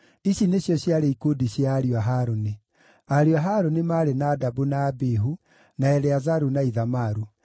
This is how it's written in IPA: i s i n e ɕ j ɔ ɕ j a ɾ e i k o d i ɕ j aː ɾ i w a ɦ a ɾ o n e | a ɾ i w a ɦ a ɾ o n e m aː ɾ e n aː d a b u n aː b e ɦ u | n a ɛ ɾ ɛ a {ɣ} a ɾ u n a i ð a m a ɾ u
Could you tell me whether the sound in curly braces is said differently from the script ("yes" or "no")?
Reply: yes